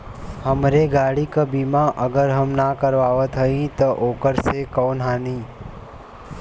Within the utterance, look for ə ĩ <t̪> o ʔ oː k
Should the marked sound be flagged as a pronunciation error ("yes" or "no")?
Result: no